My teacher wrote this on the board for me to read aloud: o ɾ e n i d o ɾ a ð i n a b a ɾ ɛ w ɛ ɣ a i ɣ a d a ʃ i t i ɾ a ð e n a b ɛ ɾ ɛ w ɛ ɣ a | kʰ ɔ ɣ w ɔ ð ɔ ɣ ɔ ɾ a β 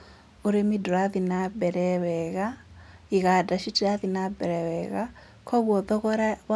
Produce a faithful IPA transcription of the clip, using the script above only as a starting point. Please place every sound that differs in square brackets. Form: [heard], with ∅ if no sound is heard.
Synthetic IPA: o ɾ e [m] i d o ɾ a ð i n a b [ɛ] ɾ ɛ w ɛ ɣ a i ɣ a d a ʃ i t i ɾ a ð [i] n a b ɛ ɾ ɛ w ɛ ɣ a | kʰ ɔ ɣ w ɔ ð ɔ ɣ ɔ ɾ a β